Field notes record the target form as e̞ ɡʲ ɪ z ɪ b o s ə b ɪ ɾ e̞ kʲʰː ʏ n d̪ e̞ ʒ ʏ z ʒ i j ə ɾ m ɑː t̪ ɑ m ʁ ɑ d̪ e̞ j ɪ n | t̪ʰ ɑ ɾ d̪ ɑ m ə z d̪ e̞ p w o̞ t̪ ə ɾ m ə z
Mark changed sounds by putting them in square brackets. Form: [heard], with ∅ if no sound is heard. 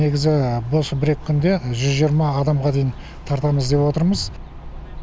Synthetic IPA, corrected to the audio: e̞ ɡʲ ɪ z ɪ b o s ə b ɪ ɾ e̞ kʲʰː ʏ n d̪ e̞ ʒ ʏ z ʒ i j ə ɾ m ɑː [d̪] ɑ m ʁ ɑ d̪ e̞ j ɪ n | t̪ʰ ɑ ɾ [t̪] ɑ m ə z d̪ e̞ p w o̞ t̪ ə ɾ m ə z